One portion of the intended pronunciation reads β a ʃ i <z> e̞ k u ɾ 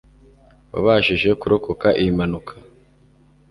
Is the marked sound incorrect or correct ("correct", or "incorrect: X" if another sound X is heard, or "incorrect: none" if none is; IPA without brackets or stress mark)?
incorrect: ʒ